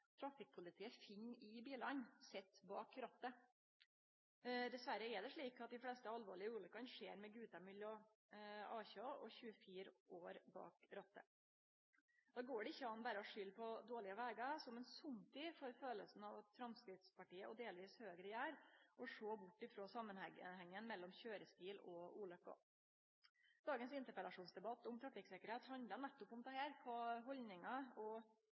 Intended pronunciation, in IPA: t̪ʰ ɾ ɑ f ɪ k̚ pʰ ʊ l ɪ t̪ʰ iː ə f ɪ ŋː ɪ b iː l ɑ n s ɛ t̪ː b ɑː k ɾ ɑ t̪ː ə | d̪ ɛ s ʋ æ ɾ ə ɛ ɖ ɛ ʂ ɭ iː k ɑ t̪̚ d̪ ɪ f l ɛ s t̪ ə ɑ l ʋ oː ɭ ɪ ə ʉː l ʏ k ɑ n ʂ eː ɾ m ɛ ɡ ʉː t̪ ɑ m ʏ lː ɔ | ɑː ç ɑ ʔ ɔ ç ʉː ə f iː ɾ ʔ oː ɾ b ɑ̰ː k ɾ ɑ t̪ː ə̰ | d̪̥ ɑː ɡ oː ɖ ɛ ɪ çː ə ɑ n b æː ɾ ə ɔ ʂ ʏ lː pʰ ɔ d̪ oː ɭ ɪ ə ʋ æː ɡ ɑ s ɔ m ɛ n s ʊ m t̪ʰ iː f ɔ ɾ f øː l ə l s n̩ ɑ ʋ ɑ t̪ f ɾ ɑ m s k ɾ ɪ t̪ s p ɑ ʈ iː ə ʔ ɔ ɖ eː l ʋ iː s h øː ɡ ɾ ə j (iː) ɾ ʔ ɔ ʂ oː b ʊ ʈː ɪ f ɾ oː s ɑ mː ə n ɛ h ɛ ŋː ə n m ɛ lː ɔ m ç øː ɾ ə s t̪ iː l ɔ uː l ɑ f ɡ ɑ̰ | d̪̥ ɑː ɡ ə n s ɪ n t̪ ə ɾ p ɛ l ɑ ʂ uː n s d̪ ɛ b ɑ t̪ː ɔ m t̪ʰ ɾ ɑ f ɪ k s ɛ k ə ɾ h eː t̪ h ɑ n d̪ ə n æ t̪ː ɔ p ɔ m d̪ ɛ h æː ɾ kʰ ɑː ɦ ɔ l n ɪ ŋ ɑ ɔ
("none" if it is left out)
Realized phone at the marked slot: æː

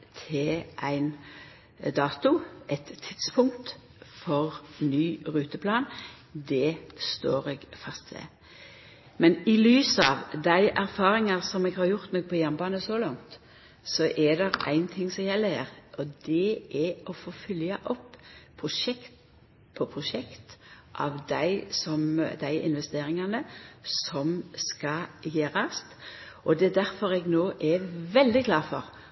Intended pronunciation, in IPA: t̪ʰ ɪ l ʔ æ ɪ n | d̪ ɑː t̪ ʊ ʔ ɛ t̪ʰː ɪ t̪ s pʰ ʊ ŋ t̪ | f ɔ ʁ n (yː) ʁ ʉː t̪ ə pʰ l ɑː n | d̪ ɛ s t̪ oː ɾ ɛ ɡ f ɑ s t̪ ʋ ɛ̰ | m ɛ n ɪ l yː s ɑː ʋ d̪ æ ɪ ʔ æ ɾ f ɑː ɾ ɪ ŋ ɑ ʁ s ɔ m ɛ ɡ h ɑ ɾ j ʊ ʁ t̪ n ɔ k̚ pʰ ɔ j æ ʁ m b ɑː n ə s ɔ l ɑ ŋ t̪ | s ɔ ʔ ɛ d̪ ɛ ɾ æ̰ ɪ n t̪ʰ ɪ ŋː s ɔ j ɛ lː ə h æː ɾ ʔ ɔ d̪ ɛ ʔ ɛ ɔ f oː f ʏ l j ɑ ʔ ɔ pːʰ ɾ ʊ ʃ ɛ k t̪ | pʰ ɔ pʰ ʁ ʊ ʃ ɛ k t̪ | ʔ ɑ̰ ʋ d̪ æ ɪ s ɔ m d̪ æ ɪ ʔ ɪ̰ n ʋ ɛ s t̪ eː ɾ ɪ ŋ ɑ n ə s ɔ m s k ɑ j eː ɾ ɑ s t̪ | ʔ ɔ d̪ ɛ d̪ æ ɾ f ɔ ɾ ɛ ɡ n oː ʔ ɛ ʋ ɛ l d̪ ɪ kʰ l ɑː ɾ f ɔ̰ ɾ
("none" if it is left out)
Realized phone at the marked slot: yː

